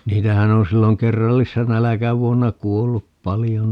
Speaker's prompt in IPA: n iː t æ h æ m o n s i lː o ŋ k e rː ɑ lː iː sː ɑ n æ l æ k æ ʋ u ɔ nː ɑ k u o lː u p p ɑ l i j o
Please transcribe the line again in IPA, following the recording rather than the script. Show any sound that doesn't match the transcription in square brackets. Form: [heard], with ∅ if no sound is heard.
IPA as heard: n iː t æ h æ [n] o n s i lː o ŋ k e rː ɑ lː [i] sː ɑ n æ l æ k æ ʋ u [o] nː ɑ k u o lː u p p ɑ l i j o